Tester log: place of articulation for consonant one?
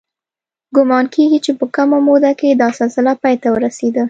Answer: velar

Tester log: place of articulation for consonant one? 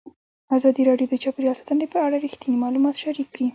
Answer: alveolar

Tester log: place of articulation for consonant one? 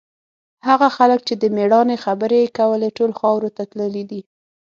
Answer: glottal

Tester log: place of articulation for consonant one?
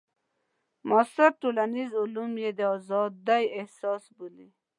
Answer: labial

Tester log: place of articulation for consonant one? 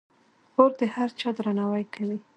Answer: alveolar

